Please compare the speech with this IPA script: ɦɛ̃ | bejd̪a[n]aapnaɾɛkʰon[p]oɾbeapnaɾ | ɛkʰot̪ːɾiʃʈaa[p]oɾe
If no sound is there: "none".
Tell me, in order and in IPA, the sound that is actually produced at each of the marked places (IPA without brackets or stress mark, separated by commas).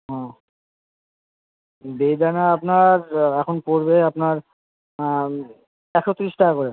n, p, k